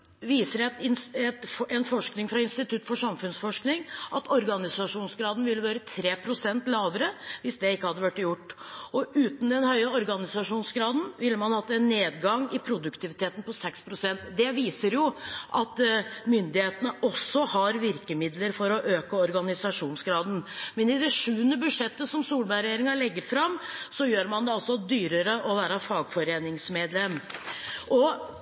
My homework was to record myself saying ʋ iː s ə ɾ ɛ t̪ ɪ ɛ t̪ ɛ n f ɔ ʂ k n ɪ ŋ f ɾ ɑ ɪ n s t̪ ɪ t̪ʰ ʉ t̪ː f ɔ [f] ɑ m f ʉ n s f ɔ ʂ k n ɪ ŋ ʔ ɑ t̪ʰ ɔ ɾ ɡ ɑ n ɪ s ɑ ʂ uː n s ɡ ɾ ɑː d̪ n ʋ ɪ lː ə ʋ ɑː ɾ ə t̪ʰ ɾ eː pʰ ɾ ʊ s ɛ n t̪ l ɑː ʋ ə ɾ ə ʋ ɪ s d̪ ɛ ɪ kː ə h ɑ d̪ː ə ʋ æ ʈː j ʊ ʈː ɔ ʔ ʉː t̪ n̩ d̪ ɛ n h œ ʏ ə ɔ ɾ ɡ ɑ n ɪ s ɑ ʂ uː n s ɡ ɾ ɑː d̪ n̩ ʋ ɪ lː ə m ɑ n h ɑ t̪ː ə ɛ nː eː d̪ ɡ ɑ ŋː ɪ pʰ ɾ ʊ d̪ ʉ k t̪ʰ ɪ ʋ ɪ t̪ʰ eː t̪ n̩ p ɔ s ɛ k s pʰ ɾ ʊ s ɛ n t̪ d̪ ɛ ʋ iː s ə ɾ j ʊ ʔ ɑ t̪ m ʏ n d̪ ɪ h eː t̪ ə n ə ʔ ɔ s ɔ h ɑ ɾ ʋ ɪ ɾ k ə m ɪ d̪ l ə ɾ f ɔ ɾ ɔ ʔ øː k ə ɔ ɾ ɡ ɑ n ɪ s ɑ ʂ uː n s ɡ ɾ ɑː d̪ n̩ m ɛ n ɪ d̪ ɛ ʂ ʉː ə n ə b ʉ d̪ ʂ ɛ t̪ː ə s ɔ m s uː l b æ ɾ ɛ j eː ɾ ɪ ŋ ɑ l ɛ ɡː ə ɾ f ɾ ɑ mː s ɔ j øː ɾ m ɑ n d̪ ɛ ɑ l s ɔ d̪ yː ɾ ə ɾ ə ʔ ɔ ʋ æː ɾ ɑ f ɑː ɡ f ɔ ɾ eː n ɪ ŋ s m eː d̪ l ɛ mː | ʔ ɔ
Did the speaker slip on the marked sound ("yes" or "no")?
yes